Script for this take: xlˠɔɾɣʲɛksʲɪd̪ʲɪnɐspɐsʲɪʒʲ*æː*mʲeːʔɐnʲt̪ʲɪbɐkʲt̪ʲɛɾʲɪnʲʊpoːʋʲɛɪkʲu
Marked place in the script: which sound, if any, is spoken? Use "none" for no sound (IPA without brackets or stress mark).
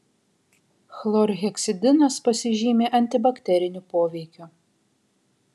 iː